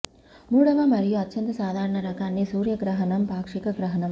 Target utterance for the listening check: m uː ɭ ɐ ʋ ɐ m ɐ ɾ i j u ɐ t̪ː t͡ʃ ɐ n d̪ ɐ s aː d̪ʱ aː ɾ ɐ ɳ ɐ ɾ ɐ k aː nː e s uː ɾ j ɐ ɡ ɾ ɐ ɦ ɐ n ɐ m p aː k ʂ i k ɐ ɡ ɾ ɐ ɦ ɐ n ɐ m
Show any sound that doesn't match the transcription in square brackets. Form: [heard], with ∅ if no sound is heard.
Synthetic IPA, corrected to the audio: m uː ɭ ɐ ʋ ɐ m ɐ ɾ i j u ɐ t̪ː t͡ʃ ɐ n [t̪] ɐ s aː d̪ʱ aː ɾ ɐ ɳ ɐ ɾ ɐ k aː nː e s uː ɾ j ɐ ɡ ɾ ɐ ɦ ɐ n ɐ m p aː k ʂ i k ɐ ɡ ɾ ɐ ɦ ɐ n ɐ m